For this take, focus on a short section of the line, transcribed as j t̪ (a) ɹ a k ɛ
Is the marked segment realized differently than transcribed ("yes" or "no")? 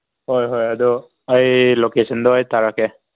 no